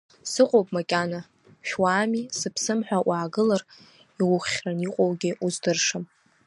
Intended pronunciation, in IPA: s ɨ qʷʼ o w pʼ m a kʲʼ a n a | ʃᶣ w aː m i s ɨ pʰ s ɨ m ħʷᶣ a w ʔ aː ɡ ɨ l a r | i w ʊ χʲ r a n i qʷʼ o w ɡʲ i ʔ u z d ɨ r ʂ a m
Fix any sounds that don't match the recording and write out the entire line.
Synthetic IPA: s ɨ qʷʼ o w pʼ m a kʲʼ a n a | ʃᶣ w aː m i s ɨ pʰ s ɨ m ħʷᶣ a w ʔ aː ɡ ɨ l a r | i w ʊ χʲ r a n i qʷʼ o w ɡʲ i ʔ u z d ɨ r ʂ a m